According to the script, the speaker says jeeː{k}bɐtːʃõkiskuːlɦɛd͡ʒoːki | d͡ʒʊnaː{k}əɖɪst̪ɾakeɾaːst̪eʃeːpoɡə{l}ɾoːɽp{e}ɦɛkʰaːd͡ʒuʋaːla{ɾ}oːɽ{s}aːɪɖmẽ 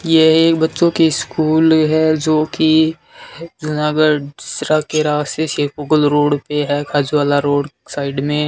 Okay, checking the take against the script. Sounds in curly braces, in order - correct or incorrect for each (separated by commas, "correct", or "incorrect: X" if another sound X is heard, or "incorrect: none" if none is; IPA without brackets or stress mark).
correct, incorrect: ɡ, correct, correct, correct, correct